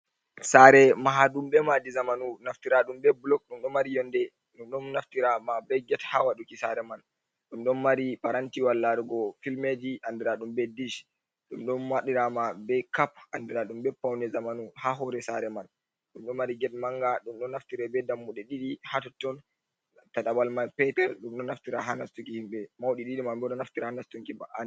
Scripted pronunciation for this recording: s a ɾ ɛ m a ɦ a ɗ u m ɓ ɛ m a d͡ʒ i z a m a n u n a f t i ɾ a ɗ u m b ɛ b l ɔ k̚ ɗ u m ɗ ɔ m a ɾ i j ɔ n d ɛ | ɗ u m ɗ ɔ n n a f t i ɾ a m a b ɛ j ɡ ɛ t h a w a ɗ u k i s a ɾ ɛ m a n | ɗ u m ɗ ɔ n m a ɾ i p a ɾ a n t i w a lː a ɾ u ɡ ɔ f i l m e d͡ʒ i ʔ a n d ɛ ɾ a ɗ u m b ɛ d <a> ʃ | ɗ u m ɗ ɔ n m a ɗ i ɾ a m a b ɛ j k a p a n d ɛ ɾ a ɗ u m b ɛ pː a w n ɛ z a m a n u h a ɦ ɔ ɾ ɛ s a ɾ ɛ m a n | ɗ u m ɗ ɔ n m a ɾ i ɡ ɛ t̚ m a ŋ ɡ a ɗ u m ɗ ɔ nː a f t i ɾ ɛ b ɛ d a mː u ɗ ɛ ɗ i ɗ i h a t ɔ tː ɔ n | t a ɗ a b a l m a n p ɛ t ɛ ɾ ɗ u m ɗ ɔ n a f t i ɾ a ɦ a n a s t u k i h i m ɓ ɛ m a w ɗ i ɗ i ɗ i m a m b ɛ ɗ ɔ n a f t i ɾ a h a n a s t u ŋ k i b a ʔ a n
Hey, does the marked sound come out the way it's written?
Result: no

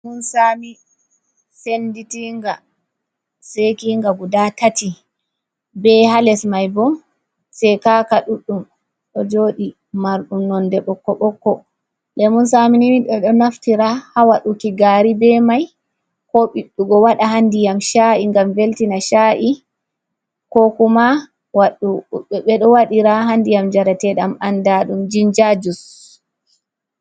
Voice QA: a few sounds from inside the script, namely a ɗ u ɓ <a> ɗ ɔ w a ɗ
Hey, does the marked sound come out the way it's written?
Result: no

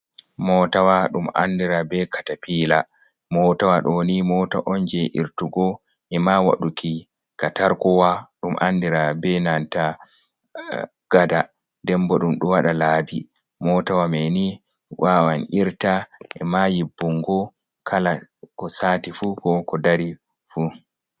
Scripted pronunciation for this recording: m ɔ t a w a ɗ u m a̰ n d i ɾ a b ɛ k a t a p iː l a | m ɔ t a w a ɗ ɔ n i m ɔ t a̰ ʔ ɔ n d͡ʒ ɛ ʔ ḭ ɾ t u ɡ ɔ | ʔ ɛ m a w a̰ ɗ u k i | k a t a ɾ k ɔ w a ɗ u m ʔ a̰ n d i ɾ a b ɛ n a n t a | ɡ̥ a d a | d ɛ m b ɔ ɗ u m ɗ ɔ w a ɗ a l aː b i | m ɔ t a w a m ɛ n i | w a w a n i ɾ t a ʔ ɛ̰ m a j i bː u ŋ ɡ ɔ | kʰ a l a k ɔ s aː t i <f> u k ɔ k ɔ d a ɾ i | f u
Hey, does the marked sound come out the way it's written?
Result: yes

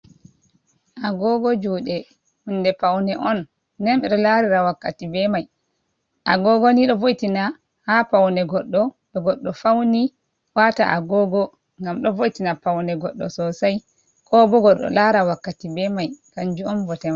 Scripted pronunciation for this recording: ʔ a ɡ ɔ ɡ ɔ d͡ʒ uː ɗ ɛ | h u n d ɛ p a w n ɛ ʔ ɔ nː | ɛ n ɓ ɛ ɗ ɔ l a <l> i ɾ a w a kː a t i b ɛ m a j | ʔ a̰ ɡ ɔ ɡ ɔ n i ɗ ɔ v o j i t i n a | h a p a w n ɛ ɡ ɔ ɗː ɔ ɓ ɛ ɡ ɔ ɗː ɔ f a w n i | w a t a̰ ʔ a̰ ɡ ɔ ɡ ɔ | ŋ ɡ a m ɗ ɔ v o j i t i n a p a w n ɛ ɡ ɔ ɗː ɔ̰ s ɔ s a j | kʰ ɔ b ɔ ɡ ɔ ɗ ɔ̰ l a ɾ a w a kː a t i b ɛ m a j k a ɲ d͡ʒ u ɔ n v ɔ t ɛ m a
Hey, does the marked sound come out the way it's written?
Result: no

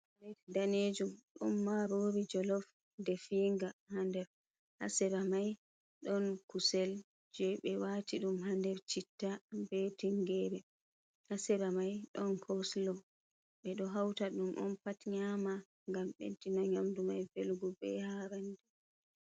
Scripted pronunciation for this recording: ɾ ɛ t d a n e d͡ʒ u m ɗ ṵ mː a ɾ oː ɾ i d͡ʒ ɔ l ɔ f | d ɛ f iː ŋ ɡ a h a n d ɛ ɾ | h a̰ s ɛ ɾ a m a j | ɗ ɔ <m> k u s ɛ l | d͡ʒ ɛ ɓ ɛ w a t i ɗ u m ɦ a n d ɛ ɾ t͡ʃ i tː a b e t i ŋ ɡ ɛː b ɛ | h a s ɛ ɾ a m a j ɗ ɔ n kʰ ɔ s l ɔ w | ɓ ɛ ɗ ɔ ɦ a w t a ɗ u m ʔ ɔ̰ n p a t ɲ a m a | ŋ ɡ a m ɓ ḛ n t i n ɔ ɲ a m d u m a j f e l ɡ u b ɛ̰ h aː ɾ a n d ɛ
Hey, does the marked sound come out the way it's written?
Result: no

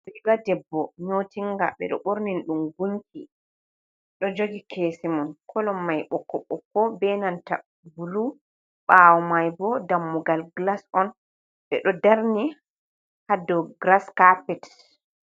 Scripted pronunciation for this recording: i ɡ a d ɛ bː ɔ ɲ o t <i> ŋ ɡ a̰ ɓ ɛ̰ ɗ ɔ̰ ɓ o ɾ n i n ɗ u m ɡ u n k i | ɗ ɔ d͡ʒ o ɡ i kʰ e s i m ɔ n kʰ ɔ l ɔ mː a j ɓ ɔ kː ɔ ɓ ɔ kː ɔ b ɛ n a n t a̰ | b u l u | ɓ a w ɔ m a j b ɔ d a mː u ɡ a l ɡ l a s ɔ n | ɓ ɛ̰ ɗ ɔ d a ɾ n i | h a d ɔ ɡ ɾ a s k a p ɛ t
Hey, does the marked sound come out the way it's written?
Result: yes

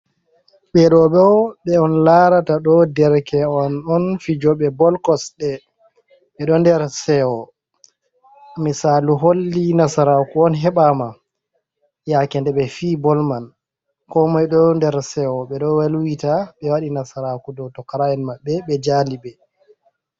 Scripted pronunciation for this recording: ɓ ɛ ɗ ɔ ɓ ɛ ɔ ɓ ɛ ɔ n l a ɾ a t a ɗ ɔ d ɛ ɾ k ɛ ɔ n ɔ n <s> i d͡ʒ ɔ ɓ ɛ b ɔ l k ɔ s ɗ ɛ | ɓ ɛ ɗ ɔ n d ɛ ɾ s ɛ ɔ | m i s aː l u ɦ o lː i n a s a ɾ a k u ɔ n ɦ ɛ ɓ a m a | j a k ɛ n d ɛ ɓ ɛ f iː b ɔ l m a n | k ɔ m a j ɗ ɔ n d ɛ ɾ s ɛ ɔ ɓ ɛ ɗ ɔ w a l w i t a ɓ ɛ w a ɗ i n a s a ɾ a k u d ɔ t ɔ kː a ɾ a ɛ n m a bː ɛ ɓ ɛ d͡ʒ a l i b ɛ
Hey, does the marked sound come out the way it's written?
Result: no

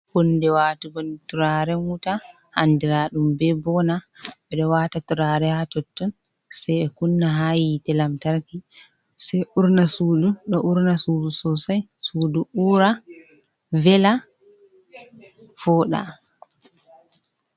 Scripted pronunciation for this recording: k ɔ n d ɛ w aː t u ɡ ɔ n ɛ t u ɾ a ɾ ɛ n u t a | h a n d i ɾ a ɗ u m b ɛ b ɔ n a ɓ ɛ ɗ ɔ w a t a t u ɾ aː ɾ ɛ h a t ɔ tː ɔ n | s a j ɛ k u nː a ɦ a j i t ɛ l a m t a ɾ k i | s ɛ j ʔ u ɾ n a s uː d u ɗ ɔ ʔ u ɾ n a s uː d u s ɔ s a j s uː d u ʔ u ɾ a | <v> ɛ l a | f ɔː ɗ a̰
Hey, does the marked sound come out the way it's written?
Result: yes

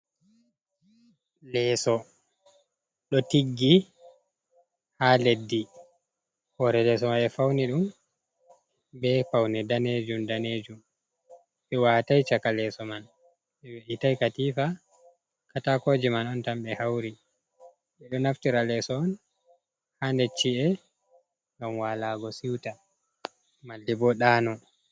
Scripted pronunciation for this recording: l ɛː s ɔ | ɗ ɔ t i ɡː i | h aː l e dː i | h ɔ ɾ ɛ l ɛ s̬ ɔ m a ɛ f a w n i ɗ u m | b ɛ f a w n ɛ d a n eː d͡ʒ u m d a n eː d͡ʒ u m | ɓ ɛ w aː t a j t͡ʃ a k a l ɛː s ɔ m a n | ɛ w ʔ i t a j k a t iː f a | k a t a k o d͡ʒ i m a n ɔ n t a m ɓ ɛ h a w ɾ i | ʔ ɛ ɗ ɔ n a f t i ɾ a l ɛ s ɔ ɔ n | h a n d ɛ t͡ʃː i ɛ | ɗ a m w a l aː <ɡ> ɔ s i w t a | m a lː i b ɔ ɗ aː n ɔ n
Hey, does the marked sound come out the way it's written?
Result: yes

